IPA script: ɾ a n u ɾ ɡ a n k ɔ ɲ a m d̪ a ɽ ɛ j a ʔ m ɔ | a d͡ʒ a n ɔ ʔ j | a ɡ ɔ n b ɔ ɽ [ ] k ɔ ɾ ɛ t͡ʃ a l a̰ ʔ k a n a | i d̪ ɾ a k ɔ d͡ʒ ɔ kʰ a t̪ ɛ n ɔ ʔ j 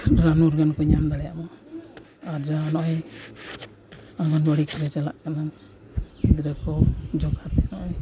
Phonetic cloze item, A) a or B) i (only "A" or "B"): B